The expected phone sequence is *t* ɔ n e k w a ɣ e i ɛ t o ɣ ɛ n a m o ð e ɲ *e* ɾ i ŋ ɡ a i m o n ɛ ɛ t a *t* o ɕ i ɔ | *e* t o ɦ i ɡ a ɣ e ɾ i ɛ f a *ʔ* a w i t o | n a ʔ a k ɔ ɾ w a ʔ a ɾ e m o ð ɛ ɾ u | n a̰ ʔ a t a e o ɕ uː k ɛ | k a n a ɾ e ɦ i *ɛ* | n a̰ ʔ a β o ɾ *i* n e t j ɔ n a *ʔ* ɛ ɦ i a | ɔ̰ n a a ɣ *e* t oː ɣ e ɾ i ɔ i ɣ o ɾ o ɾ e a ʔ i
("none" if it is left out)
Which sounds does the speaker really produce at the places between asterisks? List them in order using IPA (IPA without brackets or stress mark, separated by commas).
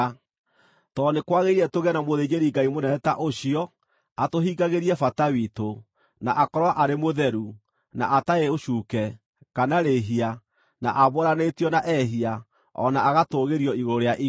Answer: t, e, ʔ, a, t, a, a, ʔ, a